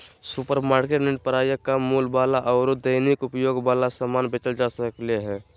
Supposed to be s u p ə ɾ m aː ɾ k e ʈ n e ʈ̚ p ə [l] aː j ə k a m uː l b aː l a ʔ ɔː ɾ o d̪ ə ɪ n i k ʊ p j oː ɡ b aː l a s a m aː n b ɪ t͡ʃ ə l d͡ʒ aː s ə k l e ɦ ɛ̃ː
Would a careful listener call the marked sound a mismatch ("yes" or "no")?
yes